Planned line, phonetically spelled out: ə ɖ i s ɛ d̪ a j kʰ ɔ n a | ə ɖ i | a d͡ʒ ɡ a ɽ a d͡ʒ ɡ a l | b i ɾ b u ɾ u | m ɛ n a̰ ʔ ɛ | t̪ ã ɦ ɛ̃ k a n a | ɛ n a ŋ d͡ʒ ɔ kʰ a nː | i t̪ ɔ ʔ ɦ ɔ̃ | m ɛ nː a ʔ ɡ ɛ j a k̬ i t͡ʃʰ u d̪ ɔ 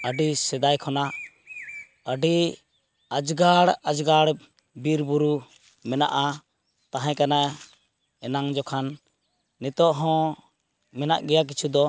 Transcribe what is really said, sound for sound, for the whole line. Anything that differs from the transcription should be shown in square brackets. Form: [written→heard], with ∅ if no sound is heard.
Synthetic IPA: ə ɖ i s ɛ d̪ a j kʰ ɔ n a | ə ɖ i | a d͡ʒ ɡ a ɽ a d͡ʒ ɡ a [l→ɽ] | b i ɾ b u ɾ u | m ɛ n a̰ ʔ [ɛ→a] | t̪ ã ɦ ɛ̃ k a n a | ɛ n a ŋ d͡ʒ ɔ kʰ a nː | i t̪ ɔ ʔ ɦ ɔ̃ | m ɛ [nː→n] a ʔ ɡ ɛ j a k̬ i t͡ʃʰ u d̪ ɔ